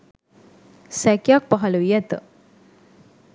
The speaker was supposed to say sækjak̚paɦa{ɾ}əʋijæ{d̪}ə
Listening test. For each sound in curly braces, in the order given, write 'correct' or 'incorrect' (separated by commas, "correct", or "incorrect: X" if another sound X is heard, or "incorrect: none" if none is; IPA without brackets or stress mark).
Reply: incorrect: l, incorrect: t̪